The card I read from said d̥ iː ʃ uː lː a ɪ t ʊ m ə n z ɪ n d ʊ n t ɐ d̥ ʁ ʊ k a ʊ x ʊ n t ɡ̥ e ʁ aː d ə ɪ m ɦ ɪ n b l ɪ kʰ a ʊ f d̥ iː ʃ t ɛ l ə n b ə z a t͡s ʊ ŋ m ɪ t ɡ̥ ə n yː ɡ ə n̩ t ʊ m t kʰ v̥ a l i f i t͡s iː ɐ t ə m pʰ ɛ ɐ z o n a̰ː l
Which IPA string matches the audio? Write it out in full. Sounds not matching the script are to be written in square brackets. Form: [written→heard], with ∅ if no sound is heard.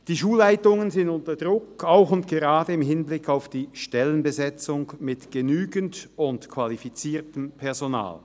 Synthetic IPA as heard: d̥ iː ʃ uː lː a ɪ t ʊ [m→ŋ] ə n z ɪ n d ʊ n t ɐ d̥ ʁ ʊ k a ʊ x ʊ n t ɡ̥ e ʁ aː d ə ɪ m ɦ ɪ n b l ɪ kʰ a ʊ f d̥ iː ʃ t ɛ l ə n b ə z [a→ɛ] t͡s ʊ ŋ m ɪ t ɡ̥ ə n yː ɡ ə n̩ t ʊ [m→n] t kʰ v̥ a l i f i t͡s iː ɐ t ə m pʰ ɛ ɐ z o n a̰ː l